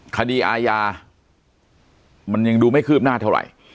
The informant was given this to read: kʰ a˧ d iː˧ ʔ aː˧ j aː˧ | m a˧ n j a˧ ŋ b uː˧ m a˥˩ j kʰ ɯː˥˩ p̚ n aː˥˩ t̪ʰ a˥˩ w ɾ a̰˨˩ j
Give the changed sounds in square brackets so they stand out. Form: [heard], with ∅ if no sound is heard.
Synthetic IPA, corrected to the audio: kʰ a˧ d iː˧ ʔ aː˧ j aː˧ | m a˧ n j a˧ ŋ [d] uː˧ m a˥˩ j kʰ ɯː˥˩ p̚ n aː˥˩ t̪ʰ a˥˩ w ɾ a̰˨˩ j